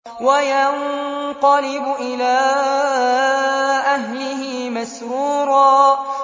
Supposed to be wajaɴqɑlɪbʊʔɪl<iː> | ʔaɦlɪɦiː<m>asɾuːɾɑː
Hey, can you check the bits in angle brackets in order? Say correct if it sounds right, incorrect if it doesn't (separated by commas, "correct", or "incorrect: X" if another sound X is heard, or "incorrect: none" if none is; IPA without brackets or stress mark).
incorrect: aː, correct